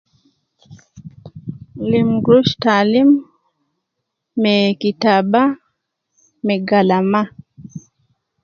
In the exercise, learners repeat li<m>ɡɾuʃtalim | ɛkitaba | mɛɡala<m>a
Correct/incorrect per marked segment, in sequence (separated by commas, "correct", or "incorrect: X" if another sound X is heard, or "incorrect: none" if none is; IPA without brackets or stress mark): correct, correct